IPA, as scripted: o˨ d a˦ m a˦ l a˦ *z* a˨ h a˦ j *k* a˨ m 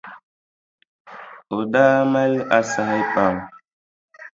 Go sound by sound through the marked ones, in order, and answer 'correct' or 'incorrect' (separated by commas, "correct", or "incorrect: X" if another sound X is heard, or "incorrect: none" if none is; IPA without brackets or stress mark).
incorrect: s, incorrect: p